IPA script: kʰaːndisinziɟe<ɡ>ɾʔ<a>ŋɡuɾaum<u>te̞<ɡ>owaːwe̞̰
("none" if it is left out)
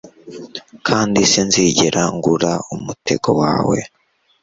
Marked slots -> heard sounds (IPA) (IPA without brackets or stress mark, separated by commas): none, a, u, ɡ